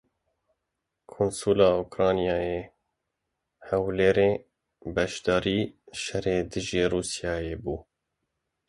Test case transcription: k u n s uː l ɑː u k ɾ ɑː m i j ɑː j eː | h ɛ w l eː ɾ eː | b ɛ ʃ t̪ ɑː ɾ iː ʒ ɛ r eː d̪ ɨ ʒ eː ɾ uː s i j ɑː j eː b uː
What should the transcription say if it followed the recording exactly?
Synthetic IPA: kʰ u n s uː l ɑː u k ɾ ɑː n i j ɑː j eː | h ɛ w l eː ɾ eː | b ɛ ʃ d̪ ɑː ɾ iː ʃ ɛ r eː d̪ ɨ ʒ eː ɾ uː s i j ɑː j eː b uː